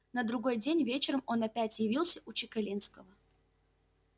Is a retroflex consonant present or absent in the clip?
absent